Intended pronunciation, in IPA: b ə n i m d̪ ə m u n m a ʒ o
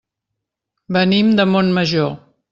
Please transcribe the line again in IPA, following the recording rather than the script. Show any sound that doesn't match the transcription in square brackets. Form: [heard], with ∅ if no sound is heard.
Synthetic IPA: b ə n i m d̪ ə m [o] n m [ə] ʒ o